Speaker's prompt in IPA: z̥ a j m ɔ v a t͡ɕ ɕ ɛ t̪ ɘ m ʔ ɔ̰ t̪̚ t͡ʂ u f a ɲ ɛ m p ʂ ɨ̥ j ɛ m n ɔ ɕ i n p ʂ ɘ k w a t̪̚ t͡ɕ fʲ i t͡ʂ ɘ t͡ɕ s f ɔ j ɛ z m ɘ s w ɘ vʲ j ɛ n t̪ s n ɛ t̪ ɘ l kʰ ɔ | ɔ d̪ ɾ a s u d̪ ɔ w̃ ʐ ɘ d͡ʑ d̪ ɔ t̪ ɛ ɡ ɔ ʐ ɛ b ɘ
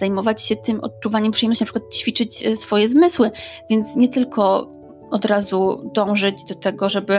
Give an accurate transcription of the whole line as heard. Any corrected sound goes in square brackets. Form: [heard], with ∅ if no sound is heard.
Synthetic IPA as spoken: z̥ a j m ɔ v a t͡ɕ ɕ ɛ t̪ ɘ m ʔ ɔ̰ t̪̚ t͡ʂ u [v] a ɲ ɛ m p ʂ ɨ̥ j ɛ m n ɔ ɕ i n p ʂ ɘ k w a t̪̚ t͡ɕ fʲ i t͡ʂ ɘ t͡ɕ s f ɔ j ɛ z m ɘ s w ɘ vʲ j ɛ n t̪ s [ɲ] ɛ t̪ ɘ l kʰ ɔ | ɔ d̪ ɾ a [z] u d̪ [ɔ̃] w̃ ʐ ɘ d͡ʑ d̪ ɔ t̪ ɛ ɡ ɔ ʐ ɛ b ɘ